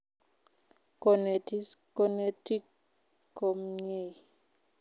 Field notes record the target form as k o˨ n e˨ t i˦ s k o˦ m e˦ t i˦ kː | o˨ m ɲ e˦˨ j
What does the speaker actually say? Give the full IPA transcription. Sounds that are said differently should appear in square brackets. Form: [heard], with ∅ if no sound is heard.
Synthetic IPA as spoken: k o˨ n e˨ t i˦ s k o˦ [n] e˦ t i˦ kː | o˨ m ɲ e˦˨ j